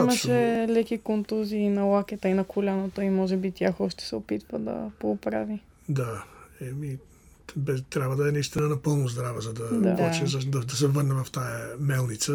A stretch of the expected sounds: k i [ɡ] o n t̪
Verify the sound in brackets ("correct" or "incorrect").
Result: incorrect